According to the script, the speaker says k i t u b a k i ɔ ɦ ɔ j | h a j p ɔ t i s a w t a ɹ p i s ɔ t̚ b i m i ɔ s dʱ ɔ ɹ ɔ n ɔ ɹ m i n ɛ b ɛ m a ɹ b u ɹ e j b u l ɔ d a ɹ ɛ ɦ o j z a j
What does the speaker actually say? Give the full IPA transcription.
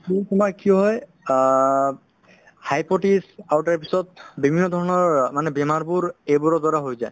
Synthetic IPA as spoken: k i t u m a k i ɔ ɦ ɔ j | h a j p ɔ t i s a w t a ɹ p i s ɔ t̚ b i m i ɔ dʱ ɔ ɹ ɔ n ɔ ɹ m a n ɛ b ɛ m a ɹ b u ɹ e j b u ɹ ɔ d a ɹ a ɦ o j z a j